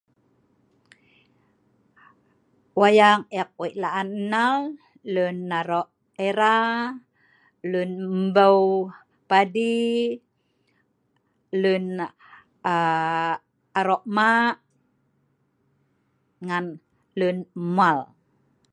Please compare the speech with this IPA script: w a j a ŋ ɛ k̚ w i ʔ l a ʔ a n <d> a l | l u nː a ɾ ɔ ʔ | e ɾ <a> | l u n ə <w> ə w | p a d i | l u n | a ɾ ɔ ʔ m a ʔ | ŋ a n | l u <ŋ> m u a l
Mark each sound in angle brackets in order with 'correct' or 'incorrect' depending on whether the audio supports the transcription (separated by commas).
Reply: incorrect, correct, incorrect, incorrect